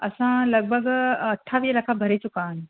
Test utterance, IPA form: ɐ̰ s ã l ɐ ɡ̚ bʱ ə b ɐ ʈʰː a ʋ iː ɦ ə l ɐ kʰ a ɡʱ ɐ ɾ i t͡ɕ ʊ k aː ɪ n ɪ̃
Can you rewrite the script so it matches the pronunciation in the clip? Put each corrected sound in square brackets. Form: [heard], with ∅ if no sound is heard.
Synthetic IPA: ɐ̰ s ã l ɐ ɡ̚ bʱ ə [ɡ] ɐ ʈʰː a ʋ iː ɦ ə l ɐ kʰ a [bʱ] ɐ ɾ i t͡ɕ ʊ k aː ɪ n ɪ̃